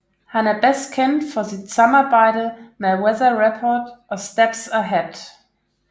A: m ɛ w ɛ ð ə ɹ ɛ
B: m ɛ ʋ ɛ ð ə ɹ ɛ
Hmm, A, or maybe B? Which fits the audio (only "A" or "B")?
A